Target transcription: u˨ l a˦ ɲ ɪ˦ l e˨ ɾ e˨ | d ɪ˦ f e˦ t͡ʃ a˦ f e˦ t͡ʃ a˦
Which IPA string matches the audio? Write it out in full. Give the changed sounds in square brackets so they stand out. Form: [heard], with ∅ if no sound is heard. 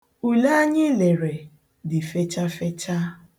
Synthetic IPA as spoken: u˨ l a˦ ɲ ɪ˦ l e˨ ɾ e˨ | d [ɪ˨] f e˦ t͡ʃ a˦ f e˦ t͡ʃ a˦